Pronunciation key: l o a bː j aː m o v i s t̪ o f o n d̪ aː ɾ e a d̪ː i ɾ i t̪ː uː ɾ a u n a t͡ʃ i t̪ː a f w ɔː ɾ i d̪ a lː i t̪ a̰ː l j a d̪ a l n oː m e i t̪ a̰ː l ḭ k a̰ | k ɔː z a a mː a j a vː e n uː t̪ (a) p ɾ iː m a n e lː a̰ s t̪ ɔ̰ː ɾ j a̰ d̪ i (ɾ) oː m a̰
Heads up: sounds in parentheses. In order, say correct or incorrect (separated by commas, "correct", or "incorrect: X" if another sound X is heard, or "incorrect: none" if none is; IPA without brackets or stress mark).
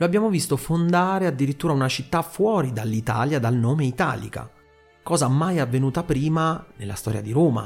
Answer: correct, correct